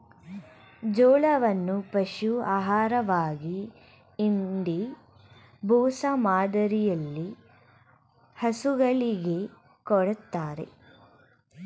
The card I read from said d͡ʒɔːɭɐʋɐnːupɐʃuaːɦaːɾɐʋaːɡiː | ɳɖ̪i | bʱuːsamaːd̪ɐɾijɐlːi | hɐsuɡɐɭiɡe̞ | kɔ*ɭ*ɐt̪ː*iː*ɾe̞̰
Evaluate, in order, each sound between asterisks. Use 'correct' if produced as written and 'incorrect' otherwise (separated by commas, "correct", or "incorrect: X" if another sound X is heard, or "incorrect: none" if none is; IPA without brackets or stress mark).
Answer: incorrect: ɽ, incorrect: aː